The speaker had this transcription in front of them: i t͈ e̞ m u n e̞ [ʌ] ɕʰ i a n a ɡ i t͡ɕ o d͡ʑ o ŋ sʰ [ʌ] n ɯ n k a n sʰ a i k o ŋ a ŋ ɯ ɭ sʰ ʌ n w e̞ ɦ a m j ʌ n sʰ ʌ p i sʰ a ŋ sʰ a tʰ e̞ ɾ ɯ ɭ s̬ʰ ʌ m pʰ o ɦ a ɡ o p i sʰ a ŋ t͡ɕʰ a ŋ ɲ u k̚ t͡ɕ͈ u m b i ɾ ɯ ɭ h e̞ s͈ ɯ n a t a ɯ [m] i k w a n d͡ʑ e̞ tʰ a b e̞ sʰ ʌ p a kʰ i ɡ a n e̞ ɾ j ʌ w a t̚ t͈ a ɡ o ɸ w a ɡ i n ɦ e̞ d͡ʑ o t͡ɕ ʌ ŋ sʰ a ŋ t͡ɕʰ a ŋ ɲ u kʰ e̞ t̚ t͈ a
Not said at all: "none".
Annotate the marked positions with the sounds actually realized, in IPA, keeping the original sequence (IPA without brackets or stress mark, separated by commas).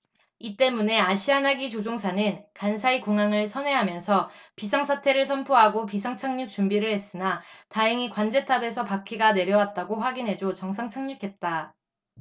a, a, ŋ